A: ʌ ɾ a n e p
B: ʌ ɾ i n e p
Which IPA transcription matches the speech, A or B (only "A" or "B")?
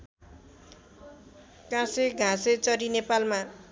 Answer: B